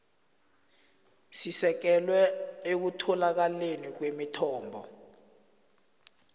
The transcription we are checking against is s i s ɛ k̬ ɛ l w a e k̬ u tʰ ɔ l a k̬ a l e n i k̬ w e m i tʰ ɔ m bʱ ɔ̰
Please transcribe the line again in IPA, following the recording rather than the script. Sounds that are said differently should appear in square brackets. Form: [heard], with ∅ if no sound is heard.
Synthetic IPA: s i s ɛ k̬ ɛ l w [ɛ] e k̬ u tʰ ɔ l a k̬ a l e n i k̬ w e m i tʰ [ɔː] m bʱ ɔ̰